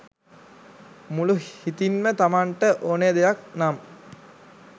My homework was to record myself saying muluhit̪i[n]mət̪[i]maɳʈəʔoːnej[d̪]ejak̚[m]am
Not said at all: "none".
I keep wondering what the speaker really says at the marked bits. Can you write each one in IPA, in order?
n, a, d̪, n

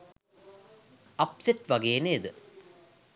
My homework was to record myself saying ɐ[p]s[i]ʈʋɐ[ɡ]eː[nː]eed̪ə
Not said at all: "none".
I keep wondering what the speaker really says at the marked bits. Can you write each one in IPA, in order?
p, e, ɡ, n

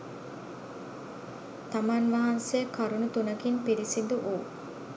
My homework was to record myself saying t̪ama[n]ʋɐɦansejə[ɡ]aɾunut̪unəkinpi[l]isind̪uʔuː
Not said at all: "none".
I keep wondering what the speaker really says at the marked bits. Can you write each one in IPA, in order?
n, k, ɾ

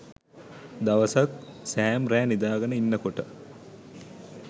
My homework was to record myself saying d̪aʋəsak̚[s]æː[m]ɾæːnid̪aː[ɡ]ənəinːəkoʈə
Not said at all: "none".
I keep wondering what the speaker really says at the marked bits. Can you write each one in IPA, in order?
s, m, ɡ

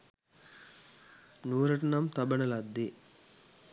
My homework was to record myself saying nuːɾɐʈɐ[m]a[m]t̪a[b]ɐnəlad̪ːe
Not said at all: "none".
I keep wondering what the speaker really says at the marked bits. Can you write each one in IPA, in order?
n, m, b

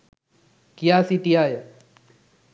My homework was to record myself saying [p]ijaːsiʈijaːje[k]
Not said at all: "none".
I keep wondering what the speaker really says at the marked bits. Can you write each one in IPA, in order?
k, none

